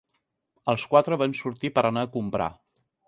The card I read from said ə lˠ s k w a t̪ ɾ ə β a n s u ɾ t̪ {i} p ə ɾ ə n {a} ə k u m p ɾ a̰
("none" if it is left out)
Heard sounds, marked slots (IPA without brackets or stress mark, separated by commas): i, a